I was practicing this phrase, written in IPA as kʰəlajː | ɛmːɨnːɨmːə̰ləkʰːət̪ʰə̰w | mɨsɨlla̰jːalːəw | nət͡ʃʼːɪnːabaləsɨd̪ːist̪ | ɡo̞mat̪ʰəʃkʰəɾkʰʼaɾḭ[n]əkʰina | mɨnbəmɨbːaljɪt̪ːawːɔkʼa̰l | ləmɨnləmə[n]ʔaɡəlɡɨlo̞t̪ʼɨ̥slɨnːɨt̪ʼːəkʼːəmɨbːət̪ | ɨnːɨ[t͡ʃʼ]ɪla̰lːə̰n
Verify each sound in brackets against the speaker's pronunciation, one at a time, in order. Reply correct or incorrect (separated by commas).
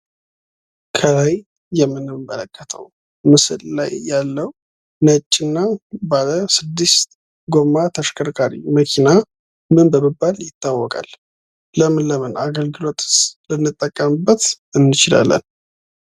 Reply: incorrect, correct, incorrect